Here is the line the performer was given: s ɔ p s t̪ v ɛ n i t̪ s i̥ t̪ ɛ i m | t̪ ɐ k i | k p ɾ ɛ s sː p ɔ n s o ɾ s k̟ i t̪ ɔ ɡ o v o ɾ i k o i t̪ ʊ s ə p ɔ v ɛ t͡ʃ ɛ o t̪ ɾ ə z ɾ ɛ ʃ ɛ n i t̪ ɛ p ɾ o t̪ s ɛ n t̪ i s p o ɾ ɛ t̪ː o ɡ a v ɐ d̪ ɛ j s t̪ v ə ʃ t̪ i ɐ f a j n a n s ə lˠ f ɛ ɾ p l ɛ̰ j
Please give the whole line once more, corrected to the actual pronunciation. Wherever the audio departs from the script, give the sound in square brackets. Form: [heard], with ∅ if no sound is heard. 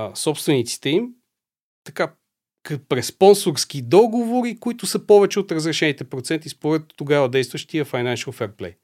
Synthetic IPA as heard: s ɔ p s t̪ v ɛ n i t̪ s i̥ t̪ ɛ i m | t̪ ɐ k [a] | k p ɾ ɛ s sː p ɔ n s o ɾ s k̟ i [d̪] ɔ ɡ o v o ɾ i k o i t̪ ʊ s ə p ɔ v ɛ t͡ʃ ɛ o t̪ ɾ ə z ɾ ɛ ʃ ɛ n i t̪ ɛ p ɾ o t̪ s ɛ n t̪ i s p o ɾ ɛ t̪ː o ɡ a v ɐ d̪ ɛ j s t̪ v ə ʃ t̪ i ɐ f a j n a n [ʃ] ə lˠ f ɛ ɾ p l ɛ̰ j